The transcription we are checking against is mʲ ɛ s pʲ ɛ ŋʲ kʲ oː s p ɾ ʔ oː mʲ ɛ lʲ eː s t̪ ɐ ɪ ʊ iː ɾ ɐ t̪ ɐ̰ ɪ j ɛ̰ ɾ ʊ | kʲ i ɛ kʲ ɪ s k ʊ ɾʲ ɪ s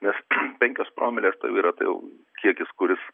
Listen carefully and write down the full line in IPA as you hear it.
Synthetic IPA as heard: nʲ ɛ s pʲ ɛ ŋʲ kʲ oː s p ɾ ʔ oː mʲ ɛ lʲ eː s t̪ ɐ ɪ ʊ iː ɾ ɐ t̪ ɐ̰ ɪ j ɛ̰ ʊ | kʲ i ɛ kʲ ɪ s k ʊ ɾʲ ɪ s